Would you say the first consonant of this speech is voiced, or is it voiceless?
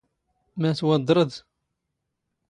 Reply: voiced